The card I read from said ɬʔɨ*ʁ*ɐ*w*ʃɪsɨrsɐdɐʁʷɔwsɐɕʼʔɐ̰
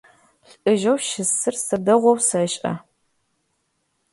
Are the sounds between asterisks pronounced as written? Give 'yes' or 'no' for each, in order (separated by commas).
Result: no, yes